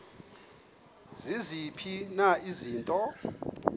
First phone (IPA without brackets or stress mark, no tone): z